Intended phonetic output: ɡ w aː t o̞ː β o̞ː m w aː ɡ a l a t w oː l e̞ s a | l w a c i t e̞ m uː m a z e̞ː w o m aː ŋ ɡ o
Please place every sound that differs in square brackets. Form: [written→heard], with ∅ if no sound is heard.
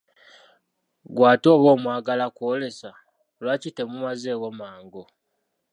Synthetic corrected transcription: ɡ w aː t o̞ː β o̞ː m w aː ɡ a l a [t→k] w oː l e̞ s a | l w a c i t e̞ m [uː→u] m a z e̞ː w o m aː ŋ ɡ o